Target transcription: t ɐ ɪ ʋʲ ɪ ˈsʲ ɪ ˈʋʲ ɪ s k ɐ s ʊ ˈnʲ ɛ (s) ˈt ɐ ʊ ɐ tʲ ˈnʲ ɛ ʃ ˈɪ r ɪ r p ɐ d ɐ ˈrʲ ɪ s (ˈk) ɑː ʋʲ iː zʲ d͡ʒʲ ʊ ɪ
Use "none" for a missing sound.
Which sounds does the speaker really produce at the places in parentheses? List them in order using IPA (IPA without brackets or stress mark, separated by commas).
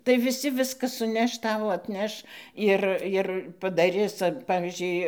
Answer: ʃ, p